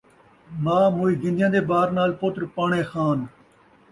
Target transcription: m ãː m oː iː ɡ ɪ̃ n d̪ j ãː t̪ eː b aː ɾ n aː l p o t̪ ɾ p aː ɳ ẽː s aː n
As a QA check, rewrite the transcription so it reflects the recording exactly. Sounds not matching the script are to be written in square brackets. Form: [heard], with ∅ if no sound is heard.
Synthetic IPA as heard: m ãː m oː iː ɡ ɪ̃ n d̪ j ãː [d̪] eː b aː ɾ n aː l p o t̪ ɾ p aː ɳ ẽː [x] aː n